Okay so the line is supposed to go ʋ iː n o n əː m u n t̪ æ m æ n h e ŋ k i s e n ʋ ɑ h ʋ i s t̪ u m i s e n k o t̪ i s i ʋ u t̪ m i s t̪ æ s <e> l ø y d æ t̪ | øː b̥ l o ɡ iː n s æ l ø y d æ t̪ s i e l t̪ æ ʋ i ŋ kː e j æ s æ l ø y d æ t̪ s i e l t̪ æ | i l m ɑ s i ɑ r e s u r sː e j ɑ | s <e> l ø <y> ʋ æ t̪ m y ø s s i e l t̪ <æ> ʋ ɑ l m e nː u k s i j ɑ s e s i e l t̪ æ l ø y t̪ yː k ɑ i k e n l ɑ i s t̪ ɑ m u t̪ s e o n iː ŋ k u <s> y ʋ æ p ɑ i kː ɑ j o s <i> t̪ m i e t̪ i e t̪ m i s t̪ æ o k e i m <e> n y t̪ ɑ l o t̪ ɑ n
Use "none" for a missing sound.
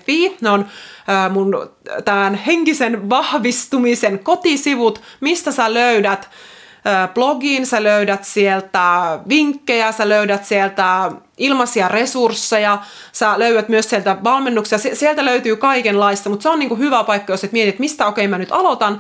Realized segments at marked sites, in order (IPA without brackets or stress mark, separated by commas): æ, æ, y, æ, h, e, æ